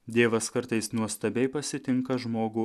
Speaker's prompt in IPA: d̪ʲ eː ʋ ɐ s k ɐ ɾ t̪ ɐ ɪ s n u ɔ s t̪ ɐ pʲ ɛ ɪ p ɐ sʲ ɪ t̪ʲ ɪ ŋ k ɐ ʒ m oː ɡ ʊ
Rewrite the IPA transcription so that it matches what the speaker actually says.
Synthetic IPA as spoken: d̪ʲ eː ʋ ɐ s k ɐ ɾ t̪ ɐ ɪ s n u ɔ s t̪ ɐ bʲ ɛ ɪ p ɐ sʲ ɪ t̪ʲ ɪ ŋ k ɐ ʒ m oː ɡ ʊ